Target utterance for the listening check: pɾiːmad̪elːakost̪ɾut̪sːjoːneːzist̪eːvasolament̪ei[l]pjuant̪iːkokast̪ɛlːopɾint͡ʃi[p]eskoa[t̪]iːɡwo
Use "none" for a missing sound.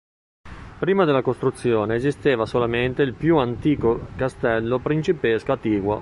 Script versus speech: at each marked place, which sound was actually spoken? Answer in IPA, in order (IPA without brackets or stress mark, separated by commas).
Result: l, p, t̪